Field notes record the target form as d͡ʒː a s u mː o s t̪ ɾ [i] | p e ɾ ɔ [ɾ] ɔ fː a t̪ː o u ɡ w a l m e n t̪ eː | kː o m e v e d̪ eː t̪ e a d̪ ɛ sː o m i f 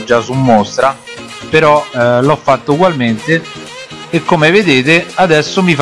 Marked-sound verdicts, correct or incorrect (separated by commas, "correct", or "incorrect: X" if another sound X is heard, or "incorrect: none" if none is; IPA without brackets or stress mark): incorrect: a, incorrect: l